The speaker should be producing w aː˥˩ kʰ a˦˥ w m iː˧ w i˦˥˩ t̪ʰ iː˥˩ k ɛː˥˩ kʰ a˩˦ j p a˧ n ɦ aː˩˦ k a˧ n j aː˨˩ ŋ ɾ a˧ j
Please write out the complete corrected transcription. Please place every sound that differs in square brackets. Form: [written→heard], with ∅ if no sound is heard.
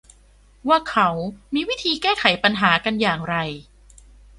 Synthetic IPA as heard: w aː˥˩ kʰ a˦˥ w m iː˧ w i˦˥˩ t̪ʰ [iː˥˩→iː˧] k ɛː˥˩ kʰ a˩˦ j p a˧ n ɦ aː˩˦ k a˧ n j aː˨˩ ŋ ɾ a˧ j